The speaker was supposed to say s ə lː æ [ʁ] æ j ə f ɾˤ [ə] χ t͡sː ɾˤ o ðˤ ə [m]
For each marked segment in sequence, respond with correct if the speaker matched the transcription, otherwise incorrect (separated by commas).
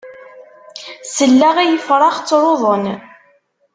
correct, incorrect, incorrect